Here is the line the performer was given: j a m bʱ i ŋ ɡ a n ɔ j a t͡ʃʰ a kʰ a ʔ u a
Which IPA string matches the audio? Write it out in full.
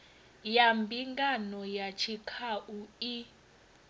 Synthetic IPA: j a m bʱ i ŋ ɡ a n ɔ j a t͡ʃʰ i kʰ a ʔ u i